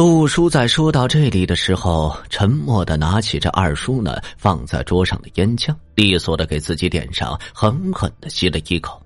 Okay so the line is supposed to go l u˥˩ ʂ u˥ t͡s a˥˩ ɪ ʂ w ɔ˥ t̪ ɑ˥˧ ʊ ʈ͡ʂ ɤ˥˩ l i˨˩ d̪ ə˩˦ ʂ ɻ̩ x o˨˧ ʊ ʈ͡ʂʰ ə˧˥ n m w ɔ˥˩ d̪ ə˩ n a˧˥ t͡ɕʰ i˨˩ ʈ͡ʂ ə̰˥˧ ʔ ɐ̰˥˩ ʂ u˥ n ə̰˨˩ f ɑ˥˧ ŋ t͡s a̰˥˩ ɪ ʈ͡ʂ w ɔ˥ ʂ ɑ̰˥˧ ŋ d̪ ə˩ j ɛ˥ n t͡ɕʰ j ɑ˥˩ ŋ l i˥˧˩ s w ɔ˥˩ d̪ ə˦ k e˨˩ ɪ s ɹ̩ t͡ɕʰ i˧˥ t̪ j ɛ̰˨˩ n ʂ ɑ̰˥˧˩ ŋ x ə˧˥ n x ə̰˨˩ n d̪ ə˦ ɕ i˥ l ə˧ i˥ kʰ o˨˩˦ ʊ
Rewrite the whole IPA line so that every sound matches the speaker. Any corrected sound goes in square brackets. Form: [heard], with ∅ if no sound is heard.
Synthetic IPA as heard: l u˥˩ ʂ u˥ t͡s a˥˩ ɪ ʂ w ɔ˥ t̪ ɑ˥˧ ʊ ʈ͡ʂ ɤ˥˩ l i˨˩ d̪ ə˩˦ ʂ ɻ̩ x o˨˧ ʊ ʈ͡ʂʰ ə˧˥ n m w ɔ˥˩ d̪ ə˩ n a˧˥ t͡ɕʰ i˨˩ ʈ͡ʂ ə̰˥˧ ʔ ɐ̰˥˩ ʂ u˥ n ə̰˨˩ f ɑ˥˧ ŋ t͡s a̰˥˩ ɪ ʈ͡ʂ w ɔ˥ ʂ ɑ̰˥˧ ŋ d̪ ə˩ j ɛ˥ n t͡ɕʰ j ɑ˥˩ ŋ l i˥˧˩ s w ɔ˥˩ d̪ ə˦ k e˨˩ ɪ [t͡s] ɹ̩ [t͡ɕ] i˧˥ t̪ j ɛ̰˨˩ n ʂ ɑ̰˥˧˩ ŋ x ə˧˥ n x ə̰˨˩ n d̪ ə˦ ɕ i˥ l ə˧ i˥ kʰ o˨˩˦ ʊ